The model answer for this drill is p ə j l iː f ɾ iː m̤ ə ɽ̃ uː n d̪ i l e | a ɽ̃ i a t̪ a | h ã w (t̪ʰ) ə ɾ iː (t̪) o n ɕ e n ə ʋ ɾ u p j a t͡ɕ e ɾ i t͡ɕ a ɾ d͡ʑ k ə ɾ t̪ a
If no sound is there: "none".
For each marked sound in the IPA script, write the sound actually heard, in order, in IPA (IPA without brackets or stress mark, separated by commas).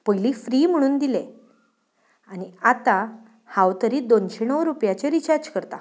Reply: t̪, d̪